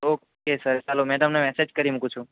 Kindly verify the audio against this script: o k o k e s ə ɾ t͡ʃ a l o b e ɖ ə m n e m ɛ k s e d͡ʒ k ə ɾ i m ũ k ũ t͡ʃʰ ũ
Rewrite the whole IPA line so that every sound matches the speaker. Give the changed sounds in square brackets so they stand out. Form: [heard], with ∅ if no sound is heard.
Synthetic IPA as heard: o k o k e s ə ɾ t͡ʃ a l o [m] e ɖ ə m n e m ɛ [∅] s e d͡ʒ k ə ɾ i m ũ k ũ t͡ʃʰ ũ